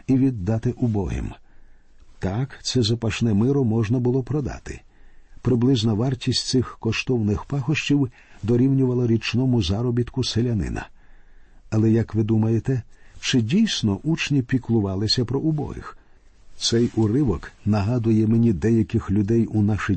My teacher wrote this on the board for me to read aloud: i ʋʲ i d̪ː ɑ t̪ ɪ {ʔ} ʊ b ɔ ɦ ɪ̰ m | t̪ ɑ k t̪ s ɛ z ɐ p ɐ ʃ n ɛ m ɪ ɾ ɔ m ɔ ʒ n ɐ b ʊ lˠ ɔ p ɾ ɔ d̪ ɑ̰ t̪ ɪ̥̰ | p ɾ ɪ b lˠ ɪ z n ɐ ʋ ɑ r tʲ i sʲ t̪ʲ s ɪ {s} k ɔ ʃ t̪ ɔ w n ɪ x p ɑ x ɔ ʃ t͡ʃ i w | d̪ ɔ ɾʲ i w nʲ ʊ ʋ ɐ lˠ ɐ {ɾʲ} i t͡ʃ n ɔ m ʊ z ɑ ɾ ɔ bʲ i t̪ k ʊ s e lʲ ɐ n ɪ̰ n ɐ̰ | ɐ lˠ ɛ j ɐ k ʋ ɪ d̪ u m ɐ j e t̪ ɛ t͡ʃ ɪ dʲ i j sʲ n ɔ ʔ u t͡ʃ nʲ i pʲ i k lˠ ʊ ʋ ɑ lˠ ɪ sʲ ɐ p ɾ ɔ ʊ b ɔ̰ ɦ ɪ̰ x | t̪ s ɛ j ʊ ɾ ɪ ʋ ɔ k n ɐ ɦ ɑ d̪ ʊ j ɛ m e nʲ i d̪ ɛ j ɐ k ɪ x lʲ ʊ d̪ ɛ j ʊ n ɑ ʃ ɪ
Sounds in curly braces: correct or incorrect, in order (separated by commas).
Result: correct, incorrect, correct